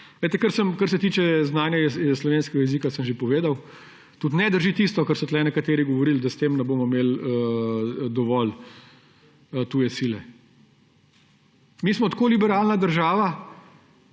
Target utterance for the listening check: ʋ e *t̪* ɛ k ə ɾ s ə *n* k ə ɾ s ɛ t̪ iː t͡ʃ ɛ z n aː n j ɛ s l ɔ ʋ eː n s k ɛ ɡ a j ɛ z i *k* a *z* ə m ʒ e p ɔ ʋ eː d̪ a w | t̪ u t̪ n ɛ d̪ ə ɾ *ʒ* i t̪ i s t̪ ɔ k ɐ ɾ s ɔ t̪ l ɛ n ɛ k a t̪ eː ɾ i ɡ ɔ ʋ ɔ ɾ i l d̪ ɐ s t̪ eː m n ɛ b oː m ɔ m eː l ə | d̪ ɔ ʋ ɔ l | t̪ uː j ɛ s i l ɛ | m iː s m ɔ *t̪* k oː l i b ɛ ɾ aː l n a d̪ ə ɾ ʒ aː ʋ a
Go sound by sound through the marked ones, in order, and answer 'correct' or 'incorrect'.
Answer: correct, incorrect: m, correct, incorrect: s, correct, correct

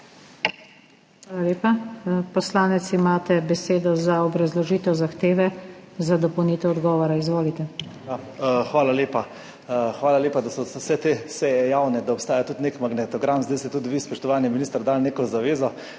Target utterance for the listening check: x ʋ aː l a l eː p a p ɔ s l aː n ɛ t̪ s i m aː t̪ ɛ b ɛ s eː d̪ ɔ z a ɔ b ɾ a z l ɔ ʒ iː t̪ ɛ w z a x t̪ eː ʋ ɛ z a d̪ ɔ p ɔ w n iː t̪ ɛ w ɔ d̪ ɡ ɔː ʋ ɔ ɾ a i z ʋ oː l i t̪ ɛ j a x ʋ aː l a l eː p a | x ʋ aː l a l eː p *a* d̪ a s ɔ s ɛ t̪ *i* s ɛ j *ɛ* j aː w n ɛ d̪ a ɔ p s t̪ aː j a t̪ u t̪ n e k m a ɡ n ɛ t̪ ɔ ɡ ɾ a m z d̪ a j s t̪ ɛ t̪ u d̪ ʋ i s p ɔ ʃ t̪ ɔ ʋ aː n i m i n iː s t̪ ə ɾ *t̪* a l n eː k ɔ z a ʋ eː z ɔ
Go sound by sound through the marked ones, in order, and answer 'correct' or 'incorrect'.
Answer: correct, incorrect: e, correct, incorrect: d̪

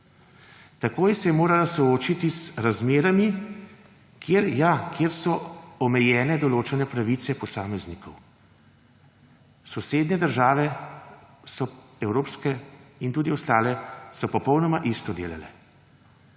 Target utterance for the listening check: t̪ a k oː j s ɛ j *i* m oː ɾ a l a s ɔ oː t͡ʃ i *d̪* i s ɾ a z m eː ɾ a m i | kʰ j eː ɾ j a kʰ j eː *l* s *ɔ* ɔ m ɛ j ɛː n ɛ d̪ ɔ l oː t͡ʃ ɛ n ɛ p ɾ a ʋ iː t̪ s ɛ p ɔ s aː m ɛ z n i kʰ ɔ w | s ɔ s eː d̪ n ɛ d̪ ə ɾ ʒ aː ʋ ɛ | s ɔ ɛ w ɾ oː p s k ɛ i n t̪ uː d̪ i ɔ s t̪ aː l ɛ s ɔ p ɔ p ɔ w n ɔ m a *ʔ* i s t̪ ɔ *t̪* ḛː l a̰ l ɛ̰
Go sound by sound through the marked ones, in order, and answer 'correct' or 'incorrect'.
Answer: incorrect: ɛ, incorrect: t̪, incorrect: ɾ, correct, correct, incorrect: d̪

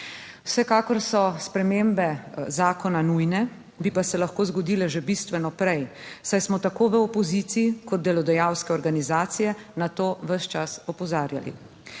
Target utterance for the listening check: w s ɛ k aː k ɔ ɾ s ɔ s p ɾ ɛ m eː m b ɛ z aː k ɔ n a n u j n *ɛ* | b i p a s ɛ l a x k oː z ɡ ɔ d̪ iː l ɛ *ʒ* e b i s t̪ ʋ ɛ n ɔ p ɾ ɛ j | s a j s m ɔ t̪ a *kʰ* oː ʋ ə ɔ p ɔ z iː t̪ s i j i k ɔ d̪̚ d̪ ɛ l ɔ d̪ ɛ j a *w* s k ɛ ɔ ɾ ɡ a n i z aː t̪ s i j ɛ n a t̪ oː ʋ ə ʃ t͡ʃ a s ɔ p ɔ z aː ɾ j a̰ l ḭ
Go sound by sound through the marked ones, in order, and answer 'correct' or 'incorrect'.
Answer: correct, correct, incorrect: k, correct

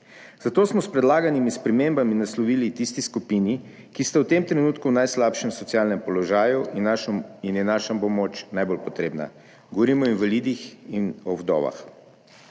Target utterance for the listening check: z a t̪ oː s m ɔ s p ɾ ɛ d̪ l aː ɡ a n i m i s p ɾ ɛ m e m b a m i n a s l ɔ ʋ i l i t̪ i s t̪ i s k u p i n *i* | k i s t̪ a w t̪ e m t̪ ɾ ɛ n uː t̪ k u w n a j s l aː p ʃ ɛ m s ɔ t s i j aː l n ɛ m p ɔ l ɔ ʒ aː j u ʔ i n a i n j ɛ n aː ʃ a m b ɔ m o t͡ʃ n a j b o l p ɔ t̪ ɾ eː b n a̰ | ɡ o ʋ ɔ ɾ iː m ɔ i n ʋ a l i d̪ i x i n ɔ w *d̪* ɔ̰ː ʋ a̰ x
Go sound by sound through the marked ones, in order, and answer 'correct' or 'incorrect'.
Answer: correct, correct

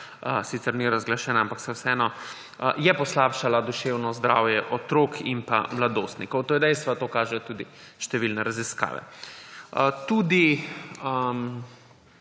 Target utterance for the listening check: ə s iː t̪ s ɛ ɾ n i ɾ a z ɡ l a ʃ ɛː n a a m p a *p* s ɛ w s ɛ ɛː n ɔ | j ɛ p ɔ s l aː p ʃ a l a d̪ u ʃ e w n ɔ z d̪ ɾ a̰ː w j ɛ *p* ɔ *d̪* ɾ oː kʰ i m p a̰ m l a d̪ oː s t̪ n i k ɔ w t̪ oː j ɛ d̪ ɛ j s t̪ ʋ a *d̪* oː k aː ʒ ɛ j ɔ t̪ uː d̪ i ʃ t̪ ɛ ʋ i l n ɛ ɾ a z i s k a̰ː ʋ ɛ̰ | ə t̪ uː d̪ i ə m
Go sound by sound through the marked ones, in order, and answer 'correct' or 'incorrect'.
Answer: incorrect: k, incorrect: ʔ, incorrect: t̪, incorrect: t̪

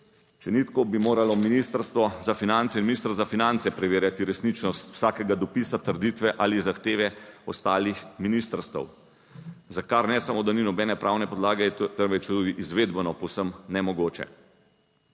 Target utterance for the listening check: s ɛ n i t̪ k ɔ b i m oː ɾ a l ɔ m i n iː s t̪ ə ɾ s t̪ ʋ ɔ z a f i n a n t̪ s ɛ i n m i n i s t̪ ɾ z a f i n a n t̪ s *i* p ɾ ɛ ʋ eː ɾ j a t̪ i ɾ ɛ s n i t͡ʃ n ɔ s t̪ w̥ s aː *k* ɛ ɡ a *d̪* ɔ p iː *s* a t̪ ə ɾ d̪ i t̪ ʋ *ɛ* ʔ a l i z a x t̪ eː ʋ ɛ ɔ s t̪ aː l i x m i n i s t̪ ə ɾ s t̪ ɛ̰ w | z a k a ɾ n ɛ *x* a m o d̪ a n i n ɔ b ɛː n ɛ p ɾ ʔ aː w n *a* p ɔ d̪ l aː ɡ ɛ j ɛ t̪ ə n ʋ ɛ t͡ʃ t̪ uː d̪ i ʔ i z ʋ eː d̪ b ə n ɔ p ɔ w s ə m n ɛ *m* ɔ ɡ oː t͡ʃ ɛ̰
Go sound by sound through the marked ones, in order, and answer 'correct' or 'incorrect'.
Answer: incorrect: ɛ, correct, correct, correct, correct, incorrect: s, incorrect: ɛ, correct

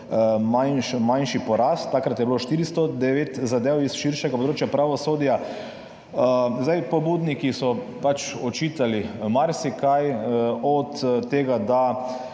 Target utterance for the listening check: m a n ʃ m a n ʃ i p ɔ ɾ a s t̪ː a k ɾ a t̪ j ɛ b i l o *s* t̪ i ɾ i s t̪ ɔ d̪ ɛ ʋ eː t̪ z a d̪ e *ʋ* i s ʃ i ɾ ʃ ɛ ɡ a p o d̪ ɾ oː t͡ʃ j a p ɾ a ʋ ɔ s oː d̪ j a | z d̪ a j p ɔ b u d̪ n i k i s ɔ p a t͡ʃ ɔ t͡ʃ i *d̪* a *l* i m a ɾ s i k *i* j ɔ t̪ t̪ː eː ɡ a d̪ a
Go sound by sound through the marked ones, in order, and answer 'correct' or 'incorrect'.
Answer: incorrect: ʃ, incorrect: w, incorrect: t̪, correct, incorrect: a

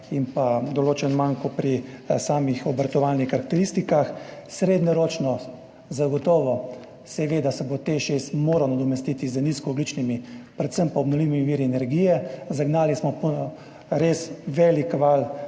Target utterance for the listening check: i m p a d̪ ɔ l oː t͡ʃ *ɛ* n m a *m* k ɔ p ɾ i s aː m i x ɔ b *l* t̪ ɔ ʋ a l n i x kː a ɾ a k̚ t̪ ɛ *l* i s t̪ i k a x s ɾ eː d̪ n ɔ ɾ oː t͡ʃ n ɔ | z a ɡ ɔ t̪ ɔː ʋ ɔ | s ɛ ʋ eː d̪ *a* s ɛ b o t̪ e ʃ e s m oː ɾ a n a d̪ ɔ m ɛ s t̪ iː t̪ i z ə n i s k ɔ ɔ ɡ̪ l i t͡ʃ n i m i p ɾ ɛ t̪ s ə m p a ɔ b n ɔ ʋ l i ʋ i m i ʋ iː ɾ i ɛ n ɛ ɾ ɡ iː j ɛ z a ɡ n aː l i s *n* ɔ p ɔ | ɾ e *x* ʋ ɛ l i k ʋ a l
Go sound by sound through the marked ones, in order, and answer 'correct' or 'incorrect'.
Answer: correct, incorrect: ŋ, incorrect: ɾ, incorrect: ɾ, correct, incorrect: m, incorrect: s

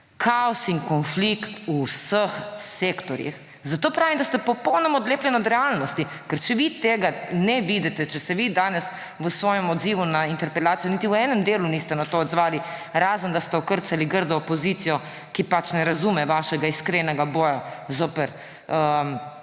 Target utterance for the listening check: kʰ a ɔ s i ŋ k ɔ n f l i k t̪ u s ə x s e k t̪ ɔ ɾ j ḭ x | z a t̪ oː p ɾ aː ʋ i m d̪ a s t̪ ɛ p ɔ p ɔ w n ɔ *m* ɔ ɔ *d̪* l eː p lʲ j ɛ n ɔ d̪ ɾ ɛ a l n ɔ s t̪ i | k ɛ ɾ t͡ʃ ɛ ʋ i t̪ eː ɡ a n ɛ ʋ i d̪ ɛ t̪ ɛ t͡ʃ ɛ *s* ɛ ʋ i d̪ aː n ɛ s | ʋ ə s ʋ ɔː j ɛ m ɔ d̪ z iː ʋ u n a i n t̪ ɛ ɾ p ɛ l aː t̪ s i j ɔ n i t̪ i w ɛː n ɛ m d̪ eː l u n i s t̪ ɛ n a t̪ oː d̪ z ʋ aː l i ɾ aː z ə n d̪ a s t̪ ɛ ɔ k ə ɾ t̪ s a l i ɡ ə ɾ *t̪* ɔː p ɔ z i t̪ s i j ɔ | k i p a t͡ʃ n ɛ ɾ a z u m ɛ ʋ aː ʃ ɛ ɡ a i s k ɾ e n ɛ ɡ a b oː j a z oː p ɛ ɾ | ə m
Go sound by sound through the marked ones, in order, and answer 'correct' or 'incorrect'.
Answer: correct, correct, correct, incorrect: d̪

